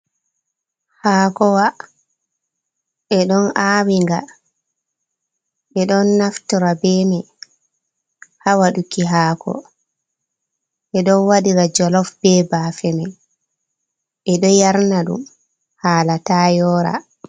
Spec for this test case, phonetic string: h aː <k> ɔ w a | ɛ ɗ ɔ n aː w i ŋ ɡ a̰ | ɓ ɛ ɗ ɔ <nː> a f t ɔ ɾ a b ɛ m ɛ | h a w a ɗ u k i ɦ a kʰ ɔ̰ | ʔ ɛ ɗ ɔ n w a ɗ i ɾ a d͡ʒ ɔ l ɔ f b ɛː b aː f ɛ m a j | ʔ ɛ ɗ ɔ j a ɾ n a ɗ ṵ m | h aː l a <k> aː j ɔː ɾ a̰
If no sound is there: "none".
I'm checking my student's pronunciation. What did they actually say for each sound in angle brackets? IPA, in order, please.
k, nː, t

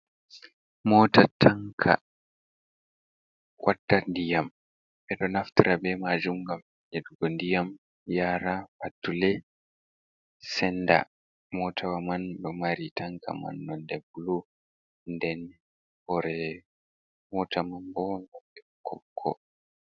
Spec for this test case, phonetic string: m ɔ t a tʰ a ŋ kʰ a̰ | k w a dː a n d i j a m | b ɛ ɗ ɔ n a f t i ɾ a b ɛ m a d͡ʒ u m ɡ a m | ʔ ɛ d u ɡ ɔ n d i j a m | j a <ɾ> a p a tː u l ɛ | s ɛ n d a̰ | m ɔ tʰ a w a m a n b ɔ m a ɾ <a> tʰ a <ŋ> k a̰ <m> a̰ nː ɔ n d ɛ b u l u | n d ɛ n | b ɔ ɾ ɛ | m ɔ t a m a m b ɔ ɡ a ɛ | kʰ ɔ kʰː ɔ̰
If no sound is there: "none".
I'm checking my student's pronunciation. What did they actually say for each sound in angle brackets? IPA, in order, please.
ɾ, i, ŋ, m

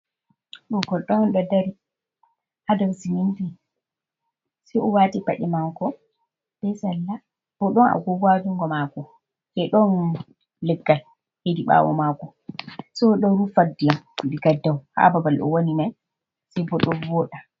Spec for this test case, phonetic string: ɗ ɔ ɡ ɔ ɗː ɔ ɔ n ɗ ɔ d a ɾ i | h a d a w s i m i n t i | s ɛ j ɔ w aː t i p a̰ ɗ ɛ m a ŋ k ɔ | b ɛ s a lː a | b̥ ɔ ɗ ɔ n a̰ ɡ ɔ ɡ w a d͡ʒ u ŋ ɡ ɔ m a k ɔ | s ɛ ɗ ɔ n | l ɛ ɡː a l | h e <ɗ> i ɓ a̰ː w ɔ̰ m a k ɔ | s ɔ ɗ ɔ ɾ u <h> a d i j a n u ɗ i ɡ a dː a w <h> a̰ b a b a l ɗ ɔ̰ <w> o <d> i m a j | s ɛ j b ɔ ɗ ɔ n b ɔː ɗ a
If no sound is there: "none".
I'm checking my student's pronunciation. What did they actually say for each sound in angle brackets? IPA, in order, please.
d, f, h, w, n

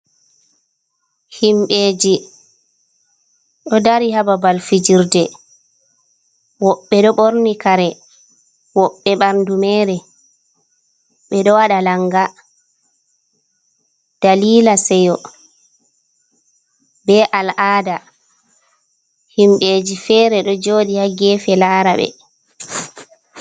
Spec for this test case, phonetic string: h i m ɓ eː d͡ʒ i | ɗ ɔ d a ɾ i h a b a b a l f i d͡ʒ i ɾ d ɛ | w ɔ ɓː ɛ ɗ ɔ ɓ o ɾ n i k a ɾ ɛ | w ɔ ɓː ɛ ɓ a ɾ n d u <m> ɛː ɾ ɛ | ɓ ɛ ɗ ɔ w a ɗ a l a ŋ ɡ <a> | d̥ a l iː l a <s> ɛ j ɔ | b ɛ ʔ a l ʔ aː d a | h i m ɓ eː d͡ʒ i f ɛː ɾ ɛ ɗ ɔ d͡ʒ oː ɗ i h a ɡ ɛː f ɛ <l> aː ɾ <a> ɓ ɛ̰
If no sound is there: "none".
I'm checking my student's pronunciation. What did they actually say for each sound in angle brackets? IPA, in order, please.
m, a, s, l, a

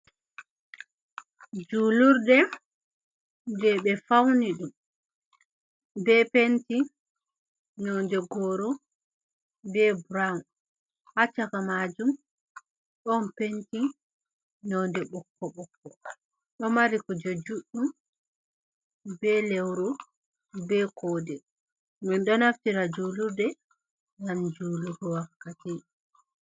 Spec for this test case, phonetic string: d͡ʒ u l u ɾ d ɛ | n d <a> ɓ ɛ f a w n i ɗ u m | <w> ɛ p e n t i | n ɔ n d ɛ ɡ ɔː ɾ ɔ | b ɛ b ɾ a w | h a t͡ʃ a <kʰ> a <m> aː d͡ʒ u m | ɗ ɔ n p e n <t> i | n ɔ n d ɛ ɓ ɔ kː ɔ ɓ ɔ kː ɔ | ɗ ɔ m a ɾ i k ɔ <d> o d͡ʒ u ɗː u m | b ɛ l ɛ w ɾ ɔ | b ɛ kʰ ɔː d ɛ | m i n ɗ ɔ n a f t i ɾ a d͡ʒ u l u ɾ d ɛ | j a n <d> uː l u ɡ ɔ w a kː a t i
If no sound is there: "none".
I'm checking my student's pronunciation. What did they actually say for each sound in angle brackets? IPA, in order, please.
ɛ, b, k, m, t, d͡ʒ, d͡ʒ

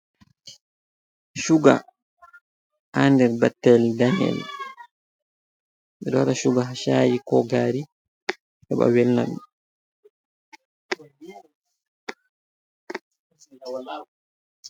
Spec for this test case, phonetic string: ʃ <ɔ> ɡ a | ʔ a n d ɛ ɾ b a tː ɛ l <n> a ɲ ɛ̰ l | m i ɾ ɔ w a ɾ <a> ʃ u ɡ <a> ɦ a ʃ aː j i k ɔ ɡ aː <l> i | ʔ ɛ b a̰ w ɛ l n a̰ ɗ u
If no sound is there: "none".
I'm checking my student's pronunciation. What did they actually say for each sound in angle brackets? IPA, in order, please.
u, d, a, a, ɾ

